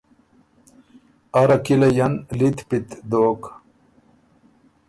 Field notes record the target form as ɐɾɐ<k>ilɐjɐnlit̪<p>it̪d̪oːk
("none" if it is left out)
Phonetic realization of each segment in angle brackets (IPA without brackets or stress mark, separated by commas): k, p